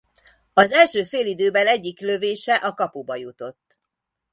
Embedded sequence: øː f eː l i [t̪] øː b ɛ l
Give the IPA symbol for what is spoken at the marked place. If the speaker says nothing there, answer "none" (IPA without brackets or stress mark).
d̪